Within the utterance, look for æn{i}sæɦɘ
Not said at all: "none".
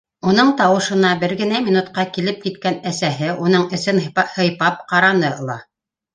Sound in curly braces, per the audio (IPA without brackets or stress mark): æ